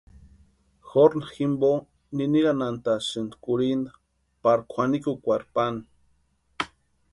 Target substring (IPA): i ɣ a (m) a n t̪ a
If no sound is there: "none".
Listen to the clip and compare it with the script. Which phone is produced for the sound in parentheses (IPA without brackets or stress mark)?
n